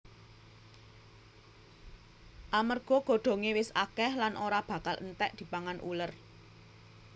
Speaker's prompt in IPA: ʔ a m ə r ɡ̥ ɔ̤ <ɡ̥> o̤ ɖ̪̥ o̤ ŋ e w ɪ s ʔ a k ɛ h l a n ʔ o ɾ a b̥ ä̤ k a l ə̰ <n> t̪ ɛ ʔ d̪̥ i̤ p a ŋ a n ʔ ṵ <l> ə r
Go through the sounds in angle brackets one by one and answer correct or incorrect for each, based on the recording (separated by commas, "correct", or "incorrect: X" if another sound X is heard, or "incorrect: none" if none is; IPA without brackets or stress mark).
correct, correct, correct